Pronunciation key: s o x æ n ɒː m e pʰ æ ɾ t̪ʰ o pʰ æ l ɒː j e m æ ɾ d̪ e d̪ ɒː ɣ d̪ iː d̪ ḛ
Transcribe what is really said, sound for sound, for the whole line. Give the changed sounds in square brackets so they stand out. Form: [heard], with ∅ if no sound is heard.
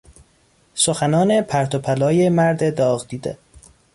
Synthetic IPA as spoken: s o x æ n ɒː [n] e pʰ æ ɾ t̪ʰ o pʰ æ l ɒː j e m æ ɾ d̪ e d̪ ɒː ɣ d̪ iː d̪ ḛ